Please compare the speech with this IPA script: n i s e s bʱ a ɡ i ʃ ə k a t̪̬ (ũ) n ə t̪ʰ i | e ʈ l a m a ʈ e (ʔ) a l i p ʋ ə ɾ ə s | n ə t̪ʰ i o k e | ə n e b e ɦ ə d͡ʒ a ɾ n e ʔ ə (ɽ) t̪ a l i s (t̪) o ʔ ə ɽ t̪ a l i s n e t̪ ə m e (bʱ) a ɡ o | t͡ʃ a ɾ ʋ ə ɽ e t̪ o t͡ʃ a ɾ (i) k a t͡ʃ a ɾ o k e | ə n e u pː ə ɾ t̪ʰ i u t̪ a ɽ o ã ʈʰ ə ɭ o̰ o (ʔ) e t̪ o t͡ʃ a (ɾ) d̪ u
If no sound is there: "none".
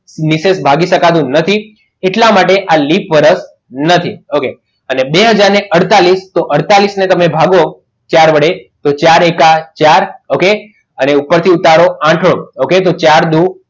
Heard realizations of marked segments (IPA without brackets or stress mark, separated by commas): ũ, ʔ, ɽ, t̪, bʱ, e, k, ɾ